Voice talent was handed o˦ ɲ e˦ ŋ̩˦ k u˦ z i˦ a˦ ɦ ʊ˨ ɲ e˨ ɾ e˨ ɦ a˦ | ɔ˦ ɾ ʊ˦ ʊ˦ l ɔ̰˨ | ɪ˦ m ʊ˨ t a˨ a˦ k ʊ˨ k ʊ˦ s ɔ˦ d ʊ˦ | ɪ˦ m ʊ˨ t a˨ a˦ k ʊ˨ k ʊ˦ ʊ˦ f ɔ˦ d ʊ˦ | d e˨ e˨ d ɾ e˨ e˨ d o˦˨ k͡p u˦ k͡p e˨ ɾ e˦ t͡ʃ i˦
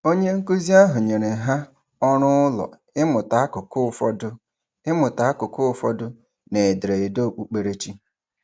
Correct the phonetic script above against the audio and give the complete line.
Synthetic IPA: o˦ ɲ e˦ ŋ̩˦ k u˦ z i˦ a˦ ɦ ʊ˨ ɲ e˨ ɾ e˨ ɦ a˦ | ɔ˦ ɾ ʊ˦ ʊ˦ l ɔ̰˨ | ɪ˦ m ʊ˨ t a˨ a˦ k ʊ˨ k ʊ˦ f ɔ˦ d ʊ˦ | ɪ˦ m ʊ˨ t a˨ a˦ k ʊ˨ k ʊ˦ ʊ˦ f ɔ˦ d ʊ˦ | n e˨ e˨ d ɾ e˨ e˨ d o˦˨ k͡p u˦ k͡p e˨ ɾ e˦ t͡ʃ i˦